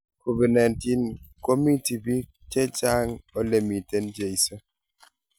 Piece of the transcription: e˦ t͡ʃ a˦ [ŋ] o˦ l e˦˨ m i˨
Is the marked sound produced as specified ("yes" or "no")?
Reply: yes